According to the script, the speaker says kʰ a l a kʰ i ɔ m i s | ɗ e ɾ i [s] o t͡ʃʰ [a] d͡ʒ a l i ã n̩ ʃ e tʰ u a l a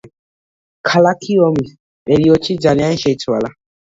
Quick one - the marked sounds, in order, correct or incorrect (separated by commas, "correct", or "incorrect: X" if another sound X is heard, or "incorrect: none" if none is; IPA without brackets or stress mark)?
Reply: incorrect: none, incorrect: i